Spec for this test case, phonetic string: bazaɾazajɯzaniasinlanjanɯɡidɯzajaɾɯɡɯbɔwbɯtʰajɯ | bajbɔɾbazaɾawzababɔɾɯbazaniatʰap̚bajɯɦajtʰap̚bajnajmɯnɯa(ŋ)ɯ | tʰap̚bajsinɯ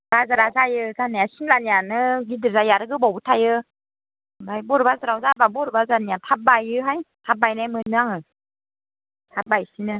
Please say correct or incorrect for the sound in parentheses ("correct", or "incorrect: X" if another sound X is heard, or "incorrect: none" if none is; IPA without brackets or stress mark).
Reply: correct